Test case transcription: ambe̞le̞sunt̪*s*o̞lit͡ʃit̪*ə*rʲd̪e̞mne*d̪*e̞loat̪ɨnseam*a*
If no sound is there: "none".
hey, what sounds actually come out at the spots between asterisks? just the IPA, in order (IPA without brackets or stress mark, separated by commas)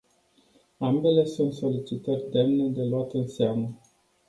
s, ə, d̪, ə